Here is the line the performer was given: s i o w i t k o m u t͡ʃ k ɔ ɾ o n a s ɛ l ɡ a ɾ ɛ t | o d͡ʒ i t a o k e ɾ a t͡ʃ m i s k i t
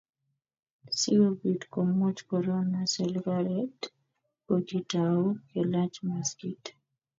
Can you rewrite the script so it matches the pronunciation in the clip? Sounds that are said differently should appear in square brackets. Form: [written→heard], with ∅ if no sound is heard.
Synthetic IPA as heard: s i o [w→b] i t k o m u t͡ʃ k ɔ ɾ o n a s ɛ l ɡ a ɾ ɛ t | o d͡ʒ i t a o k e [ɾ→l] a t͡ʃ m [i→a] s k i t